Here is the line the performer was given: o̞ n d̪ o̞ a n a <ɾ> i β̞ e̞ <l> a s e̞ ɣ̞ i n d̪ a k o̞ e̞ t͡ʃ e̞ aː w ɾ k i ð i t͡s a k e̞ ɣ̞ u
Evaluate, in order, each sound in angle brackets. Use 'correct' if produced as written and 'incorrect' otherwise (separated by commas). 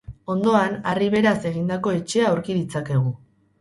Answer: incorrect, incorrect